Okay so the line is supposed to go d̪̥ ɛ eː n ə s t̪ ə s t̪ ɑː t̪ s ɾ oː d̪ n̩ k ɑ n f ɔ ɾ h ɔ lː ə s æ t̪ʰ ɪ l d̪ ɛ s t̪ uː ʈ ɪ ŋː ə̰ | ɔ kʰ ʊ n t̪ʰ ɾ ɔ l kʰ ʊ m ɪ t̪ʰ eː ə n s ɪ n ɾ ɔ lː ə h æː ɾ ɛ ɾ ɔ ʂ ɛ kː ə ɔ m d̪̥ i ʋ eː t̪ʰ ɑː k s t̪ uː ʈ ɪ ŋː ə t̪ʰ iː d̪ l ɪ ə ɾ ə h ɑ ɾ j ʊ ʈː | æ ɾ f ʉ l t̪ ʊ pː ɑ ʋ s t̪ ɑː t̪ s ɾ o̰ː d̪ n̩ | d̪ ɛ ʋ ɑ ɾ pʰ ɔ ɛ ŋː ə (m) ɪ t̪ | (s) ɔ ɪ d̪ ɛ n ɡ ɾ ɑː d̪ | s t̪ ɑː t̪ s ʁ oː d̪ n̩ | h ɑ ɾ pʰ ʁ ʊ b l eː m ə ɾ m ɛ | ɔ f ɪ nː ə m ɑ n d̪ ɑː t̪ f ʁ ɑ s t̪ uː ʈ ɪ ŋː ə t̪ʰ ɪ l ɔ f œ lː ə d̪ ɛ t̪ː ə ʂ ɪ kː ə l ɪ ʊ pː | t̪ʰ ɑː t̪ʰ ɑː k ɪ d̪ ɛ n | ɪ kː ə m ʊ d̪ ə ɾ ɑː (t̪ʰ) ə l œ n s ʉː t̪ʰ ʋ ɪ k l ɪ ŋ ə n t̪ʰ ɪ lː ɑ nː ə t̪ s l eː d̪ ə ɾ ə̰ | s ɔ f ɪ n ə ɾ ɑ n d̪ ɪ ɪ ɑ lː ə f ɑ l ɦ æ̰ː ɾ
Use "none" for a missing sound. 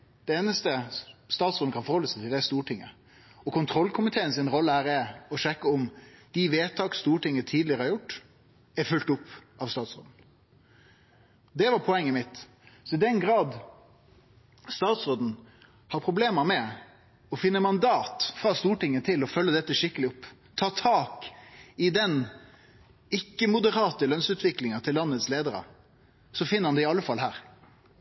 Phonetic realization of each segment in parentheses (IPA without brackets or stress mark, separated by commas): m, s, t̪